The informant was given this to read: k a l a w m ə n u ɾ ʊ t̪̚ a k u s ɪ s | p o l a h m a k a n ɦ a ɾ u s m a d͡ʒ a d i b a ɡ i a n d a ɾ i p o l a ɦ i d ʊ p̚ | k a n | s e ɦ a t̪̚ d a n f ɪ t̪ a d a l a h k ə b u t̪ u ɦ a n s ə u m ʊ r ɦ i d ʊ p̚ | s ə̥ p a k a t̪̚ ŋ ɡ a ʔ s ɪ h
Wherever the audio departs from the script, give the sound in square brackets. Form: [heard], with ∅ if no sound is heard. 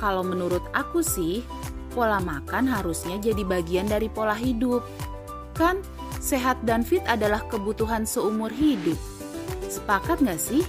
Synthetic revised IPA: k a l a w m ə n u ɾ ʊ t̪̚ a k u s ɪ [h] | p o l a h m a k a n ɦ a ɾ u s [ɲ] a d͡ʒ a d i b a ɡ i a n d a ɾ i p o l a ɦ i d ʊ p̚ | k a n | s e ɦ a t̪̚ d a n f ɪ t̪ a d a l a h k ə b u t̪ u ɦ a n s ə u m ʊ r ɦ i d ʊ p̚ | s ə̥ p a k a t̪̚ ŋ ɡ a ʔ s ɪ h